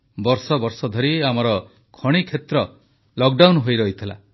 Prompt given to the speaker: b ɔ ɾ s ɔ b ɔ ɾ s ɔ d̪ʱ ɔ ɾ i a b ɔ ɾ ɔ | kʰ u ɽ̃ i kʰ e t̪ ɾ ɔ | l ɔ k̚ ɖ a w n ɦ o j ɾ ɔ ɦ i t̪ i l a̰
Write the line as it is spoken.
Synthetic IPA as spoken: b ɔ ɾ s ɔ b ɔ ɾ s ɔ d̪ʱ ɔ ɾ i a m ɔ ɾ ɔ | kʰ ɔ ɽ̃ i kʰ e t̪ ɾ ɔ | l ɔ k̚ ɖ a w n ɦ o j ɾ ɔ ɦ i t̪ʰ i l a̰